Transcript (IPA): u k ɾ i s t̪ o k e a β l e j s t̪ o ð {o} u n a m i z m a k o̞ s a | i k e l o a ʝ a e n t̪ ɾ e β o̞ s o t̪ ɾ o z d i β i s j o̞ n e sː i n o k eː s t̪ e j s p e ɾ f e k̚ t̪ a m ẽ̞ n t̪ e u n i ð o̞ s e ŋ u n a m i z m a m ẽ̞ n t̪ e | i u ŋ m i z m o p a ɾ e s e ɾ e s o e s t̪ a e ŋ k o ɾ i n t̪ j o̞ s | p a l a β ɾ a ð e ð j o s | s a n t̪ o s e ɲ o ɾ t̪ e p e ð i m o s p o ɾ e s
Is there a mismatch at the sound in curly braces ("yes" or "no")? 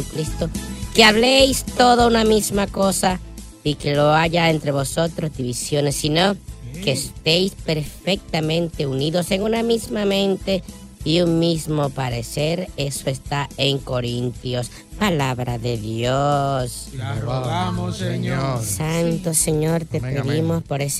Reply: no